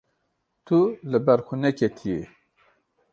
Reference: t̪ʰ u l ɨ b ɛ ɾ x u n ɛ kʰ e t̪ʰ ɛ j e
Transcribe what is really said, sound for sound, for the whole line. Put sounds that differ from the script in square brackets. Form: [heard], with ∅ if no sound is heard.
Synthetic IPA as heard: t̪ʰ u l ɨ b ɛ ɾ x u n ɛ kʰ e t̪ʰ [i] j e